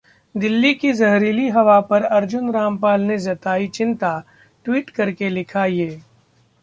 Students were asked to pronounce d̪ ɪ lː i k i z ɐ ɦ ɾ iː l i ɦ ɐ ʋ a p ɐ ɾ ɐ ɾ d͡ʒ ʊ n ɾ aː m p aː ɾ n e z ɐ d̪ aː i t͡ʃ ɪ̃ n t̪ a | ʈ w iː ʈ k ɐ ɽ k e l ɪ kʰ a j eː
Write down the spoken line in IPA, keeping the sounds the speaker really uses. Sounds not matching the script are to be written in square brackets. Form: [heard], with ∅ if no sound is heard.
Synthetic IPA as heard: d̪ ɪ lː i k i z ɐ ɦ ɾ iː l i ɦ ɐ ʋ a p ɐ ɾ ɐ ɾ d͡ʒ ʊ n ɾ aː m p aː [l] n e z ɐ [t̪] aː i t͡ʃ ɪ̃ n t̪ a | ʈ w iː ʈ k ɐ [ɾ] k e l ɪ kʰ a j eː

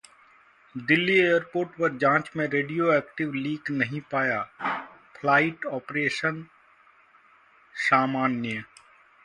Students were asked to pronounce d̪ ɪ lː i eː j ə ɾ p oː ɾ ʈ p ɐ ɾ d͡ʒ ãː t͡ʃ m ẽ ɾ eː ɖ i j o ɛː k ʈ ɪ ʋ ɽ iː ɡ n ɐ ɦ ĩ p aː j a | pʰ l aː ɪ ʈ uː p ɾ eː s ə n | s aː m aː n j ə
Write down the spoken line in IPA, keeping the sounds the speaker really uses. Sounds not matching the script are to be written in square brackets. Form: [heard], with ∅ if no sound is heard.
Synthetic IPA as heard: d̪ ɪ lː i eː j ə ɾ p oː ɾ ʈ p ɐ ɾ d͡ʒ ãː t͡ʃ m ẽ ɾ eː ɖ i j o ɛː k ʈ ɪ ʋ [l] iː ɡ n ɐ ɦ ĩ p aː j a | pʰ l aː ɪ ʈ [ɔː] p ɾ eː [ʃ] ə n | s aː m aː n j ə

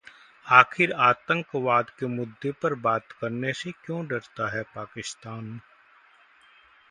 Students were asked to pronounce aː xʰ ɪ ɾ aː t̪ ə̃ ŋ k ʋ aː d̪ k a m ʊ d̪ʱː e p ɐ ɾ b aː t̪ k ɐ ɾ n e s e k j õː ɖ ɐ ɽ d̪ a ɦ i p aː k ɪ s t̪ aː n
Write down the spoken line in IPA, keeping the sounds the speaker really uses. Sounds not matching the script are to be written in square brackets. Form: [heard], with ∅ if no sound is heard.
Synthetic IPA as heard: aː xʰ ɪ ɾ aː t̪ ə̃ ŋ k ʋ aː d̪ k [e] m ʊ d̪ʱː e p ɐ ɾ b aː t̪ k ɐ ɾ n e s e k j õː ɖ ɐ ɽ [t̪] a ɦ [ɛ] p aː k ɪ s t̪ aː n

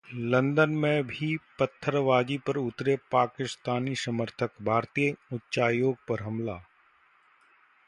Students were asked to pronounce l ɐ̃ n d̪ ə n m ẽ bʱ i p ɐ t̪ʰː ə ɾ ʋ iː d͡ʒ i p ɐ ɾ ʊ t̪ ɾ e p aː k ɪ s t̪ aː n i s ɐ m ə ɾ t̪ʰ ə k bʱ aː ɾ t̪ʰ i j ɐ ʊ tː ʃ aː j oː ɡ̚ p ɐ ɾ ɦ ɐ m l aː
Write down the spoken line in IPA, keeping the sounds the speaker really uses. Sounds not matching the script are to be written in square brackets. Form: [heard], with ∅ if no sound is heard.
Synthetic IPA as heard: l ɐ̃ n d̪ ə n m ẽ bʱ i p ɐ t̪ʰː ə ɾ ʋ [aː] d͡ʒ i p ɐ ɾ ʊ t̪ ɾ e p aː k ɪ s t̪ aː n i s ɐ m ə ɾ t̪ʰ ə k bʱ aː ɾ [t̪] i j [ə] ʊ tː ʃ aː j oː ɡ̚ p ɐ ɾ ɦ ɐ m l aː

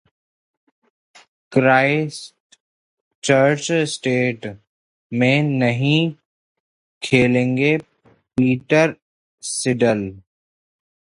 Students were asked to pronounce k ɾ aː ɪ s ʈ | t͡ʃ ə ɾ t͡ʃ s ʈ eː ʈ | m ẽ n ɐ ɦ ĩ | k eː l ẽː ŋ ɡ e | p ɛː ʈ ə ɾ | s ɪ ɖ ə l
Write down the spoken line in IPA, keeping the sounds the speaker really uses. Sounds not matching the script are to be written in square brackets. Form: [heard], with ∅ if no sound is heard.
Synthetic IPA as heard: k ɾ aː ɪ s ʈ | t͡ʃ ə ɾ t͡ʃ s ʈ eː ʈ | m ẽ n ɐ ɦ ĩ | [kʰ] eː l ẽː ŋ ɡ e | p [iː] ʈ ə ɾ | s ɪ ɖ ə l

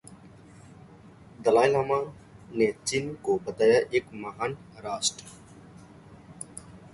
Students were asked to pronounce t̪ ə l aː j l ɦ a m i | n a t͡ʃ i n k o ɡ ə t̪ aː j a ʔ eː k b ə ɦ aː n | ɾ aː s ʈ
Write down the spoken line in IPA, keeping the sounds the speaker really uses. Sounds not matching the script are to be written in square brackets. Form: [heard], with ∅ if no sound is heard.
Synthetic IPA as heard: [d̪] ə l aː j l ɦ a m [a] | n [e] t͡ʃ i n k o [b] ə t̪ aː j a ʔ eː k [m] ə ɦ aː n | ɾ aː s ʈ

